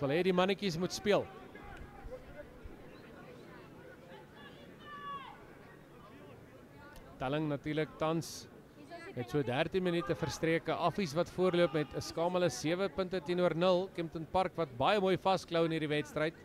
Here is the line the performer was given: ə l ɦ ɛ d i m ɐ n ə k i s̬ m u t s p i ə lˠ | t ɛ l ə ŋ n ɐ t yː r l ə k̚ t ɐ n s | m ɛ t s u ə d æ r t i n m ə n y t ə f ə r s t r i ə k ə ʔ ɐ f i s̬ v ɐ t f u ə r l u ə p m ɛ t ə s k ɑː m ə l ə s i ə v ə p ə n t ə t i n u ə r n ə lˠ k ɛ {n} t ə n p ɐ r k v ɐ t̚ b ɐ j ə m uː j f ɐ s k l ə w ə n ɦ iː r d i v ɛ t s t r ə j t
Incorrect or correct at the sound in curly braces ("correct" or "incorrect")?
incorrect